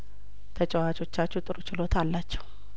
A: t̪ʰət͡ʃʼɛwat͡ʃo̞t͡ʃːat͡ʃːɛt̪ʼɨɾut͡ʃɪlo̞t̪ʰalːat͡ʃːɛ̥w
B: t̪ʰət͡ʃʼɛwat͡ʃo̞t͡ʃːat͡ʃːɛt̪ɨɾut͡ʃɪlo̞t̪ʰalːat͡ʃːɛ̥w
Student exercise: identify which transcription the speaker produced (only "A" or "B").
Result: A